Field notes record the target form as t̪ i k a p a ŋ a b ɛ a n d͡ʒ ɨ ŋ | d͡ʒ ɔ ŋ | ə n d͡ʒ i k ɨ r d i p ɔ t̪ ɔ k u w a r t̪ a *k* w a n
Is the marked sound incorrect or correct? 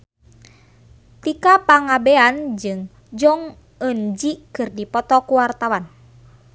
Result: incorrect